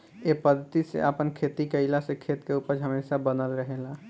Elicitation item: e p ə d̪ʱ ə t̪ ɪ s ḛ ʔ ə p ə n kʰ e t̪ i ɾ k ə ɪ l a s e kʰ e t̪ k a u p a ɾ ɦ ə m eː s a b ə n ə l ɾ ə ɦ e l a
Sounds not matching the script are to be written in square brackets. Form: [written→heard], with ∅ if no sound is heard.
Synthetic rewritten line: e p ə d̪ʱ ə t̪ [ɪ→i] s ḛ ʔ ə p ə n kʰ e t̪ i [ɾ→∅] k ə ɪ l a s e kʰ e t̪ k [a→e] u p [a→ə] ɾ ɦ ə m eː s a b ə n ə l ɾ ə ɦ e l a